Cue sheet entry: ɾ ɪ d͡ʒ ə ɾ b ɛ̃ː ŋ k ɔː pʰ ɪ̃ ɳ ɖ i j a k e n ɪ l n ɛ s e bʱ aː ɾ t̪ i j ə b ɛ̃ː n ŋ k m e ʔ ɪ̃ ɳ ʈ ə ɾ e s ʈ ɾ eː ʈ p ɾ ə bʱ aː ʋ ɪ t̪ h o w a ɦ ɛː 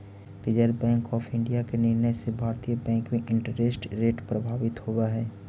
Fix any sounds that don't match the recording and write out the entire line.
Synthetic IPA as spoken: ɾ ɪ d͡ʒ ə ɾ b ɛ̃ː ŋ k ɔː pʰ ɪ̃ ɳ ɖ i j a k e n ɪ ɾ n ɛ s e bʱ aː ɾ t̪ i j ə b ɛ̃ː ŋ k m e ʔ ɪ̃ ɳ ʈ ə ɾ e s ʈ ɾ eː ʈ p ɾ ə bʱ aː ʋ ɪ t̪ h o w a ɦ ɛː